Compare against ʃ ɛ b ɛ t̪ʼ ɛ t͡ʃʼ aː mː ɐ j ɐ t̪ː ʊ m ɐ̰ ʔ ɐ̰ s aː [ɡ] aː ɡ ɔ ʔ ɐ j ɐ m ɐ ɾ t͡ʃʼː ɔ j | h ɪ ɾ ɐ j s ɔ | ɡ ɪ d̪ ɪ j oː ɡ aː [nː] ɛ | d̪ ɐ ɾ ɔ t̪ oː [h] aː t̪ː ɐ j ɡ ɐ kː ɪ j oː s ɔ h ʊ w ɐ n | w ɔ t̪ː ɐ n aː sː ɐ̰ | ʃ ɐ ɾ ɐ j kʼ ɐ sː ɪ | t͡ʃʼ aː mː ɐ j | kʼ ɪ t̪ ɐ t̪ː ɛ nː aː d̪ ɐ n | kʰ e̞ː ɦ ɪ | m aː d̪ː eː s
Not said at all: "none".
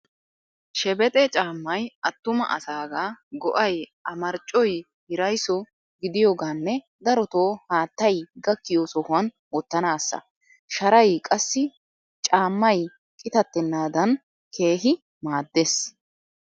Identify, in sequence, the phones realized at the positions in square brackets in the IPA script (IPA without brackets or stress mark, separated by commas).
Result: ɡ, nː, h